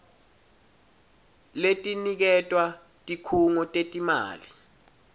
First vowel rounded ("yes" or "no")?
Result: no